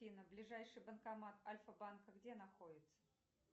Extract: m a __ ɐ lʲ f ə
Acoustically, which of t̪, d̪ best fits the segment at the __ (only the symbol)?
t̪